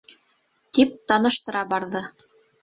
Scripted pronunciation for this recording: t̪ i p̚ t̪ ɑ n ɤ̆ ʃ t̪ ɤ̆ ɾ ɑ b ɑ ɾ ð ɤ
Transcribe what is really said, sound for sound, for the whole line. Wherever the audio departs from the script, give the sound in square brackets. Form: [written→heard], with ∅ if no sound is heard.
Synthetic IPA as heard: t̪ i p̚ t̪ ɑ n ɤ̆ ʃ t̪ ɤ̆ ɾ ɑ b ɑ ɾ ð ɤ